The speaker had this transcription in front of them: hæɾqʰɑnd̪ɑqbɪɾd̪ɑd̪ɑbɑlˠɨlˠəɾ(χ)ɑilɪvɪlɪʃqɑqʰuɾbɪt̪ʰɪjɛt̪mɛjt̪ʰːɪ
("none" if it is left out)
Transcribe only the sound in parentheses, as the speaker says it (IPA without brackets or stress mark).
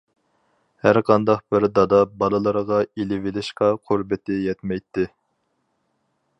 ʁ